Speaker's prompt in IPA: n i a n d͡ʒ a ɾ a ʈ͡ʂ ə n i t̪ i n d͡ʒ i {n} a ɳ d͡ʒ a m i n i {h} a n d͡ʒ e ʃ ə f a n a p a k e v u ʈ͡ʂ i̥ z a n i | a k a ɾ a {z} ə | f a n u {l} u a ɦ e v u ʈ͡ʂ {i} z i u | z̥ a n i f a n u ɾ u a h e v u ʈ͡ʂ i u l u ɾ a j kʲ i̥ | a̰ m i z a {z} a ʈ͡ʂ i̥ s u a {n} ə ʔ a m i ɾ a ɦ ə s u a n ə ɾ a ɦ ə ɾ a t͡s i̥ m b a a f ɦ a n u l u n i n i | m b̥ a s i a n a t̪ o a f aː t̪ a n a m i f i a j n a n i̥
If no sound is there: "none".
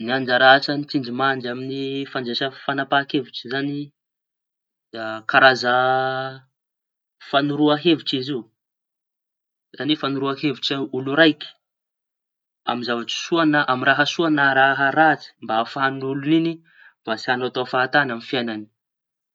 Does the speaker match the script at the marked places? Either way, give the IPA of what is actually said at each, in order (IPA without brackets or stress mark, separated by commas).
m, f, z, ɾ, i, v, n